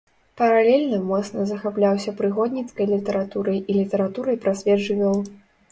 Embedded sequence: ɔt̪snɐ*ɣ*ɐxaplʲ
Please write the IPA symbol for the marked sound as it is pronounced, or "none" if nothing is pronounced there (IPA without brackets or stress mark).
z